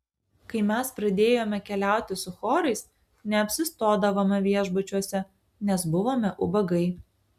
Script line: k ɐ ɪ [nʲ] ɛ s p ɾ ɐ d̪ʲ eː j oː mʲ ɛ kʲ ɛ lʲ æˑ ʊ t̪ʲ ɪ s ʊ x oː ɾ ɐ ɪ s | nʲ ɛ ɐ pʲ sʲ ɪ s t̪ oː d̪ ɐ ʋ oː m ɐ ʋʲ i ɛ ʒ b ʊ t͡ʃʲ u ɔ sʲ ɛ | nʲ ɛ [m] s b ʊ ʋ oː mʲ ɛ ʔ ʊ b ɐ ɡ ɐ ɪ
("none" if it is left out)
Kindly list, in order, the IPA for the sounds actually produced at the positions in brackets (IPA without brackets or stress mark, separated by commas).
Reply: mʲ, none